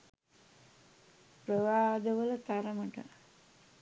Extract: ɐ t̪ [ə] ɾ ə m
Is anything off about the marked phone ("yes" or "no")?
yes